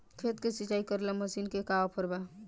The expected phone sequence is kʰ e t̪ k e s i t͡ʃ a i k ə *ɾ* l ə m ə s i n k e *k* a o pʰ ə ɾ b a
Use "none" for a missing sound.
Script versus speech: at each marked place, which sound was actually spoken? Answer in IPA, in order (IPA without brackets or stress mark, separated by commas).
ɾ, k